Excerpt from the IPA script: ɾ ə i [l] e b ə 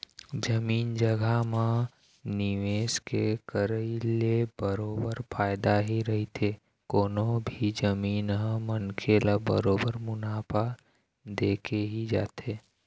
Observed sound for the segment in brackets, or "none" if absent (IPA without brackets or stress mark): l